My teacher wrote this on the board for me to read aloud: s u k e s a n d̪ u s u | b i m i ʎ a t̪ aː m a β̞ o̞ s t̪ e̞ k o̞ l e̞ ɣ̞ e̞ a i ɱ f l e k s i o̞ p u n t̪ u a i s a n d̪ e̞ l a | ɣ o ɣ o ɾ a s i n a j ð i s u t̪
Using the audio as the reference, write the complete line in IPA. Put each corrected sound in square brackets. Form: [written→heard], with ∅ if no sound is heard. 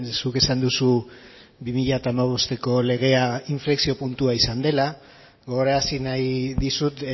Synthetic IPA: s u k e s a n d̪ u s u | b i m i ʎ a t̪ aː m a β̞ o̞ s t̪ e̞ k o̞ l e̞ ɣ̞ e̞ a i ɱ f l e k s i o̞ p u n t̪ u a i s a n d̪ e̞ l a | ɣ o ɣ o ɾ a s i n a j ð i s u t̪